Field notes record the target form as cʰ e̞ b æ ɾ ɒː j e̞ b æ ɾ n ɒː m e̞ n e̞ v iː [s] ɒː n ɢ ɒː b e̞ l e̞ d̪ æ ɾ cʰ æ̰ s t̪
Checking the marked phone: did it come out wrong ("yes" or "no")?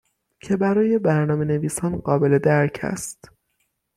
no